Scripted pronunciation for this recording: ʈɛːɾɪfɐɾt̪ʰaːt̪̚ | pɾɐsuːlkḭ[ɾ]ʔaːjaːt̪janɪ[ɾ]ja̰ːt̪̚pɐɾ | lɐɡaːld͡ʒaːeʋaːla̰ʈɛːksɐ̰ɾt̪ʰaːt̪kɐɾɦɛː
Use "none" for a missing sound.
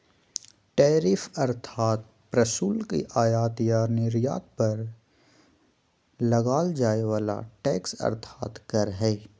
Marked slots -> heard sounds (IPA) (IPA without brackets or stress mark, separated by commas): none, ɾ